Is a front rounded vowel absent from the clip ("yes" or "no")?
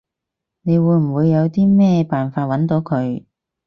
yes